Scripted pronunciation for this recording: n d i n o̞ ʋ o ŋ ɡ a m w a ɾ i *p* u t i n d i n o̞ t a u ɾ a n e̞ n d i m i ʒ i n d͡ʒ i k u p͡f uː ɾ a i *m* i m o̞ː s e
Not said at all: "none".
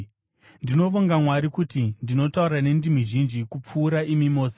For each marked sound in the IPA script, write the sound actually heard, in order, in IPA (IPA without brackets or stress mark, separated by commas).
k, m